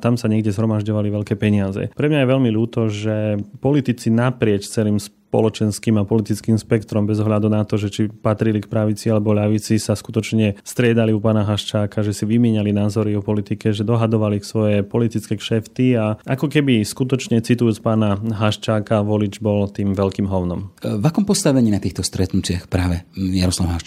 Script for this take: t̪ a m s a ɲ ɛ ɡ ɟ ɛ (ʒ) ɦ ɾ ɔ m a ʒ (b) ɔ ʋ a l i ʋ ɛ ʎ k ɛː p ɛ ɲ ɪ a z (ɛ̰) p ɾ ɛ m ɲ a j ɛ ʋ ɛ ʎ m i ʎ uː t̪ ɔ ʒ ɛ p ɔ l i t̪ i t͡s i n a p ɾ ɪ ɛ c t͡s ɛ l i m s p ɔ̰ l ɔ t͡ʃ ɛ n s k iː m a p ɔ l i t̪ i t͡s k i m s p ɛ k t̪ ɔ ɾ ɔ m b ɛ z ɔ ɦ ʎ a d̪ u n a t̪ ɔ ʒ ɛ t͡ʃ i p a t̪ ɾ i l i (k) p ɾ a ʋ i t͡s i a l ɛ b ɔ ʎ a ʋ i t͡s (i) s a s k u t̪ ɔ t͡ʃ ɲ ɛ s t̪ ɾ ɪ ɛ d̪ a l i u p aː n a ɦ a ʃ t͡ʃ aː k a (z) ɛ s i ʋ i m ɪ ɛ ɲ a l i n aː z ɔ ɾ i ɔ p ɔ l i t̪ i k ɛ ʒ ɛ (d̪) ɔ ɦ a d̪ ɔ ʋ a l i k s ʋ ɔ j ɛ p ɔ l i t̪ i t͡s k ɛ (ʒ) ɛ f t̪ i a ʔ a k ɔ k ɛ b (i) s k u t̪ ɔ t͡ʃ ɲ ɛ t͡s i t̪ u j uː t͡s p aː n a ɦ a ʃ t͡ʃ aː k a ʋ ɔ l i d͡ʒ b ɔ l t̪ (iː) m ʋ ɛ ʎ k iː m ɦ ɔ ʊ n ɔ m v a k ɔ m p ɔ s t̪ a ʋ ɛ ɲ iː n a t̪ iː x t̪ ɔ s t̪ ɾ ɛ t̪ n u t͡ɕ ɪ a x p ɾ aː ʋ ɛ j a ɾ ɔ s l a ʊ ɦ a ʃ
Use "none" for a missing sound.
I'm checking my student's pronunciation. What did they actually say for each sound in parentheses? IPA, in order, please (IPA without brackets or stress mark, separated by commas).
z, ɟ, ɛ̰, k, i, ʒ, d̪, ʃ, i, iː